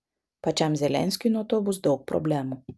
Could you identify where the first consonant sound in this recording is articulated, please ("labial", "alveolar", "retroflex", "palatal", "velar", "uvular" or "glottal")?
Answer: labial